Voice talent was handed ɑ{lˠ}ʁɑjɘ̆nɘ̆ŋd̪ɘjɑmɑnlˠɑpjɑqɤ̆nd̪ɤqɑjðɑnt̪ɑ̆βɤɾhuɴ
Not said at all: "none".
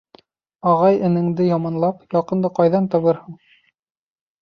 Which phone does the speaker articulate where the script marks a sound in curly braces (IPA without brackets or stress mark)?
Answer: none